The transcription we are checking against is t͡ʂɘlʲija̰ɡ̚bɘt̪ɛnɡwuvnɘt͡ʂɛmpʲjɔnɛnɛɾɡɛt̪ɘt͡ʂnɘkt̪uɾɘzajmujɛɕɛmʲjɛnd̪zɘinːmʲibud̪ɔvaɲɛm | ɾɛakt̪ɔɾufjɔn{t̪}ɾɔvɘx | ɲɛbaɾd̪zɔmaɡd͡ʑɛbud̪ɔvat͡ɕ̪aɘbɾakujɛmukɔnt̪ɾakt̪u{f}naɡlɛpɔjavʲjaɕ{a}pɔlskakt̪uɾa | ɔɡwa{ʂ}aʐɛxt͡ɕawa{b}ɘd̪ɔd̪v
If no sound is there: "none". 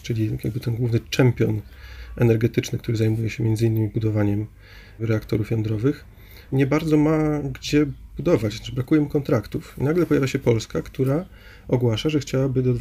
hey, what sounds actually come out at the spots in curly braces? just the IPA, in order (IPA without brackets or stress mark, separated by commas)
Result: d̪, f, ɛ, ʂ, b